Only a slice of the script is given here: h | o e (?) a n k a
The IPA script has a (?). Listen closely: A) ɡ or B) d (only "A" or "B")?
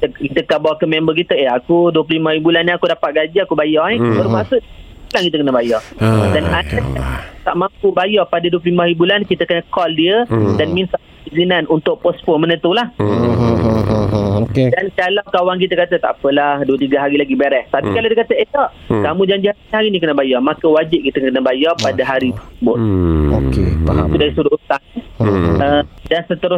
B